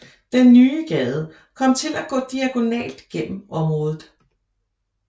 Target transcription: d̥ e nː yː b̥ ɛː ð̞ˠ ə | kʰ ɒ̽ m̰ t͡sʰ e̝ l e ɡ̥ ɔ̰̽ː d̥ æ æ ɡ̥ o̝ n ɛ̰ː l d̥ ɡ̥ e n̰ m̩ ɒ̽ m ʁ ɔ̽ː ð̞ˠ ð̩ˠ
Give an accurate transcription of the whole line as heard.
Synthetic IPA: d̥ e nː yː ɡ̥ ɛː ð̞ˠ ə | kʰ ɒ̽ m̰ t͡sʰ e̝ l æ ɡ̥ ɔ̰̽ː d̥ i æ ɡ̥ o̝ n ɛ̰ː l d̥ ɡ̥ e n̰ m̩ ɒ̽ m ʁ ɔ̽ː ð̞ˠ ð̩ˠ